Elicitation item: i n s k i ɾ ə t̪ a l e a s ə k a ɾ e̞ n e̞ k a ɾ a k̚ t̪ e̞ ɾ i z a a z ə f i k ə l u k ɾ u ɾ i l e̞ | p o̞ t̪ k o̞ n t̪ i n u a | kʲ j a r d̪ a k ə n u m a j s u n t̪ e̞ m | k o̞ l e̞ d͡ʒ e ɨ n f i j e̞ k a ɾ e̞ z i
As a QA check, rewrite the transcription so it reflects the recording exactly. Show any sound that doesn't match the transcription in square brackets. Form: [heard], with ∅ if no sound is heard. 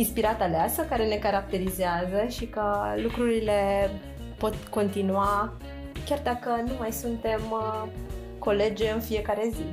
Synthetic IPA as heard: i n s [p] i ɾ [a] t̪ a l e a s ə k a ɾ e̞ n e̞ k a ɾ a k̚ t̪ e̞ ɾ i z [e] a z ə [ʃ] i k ə l u k ɾ u ɾ i l e̞ | p o̞ t̪ k o̞ n t̪ i n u a | kʲ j a r d̪ a k ə n u m a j s u n t̪ e̞ m | k o̞ l e̞ d͡ʒ e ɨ n f i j e̞ k a ɾ e̞ z i